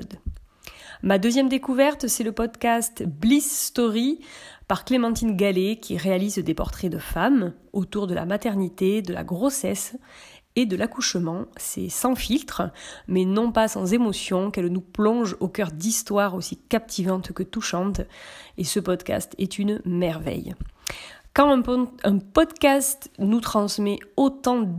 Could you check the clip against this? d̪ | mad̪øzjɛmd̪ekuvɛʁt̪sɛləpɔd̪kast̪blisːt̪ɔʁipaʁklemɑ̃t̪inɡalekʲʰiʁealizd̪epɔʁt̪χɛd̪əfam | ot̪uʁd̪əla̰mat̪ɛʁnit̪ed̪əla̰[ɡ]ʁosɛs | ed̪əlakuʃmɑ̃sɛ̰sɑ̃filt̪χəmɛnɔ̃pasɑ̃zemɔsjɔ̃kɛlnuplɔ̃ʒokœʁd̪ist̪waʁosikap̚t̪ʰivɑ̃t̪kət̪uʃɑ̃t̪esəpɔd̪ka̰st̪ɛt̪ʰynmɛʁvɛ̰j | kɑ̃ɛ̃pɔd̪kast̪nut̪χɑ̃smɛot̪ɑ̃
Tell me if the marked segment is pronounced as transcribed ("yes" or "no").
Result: yes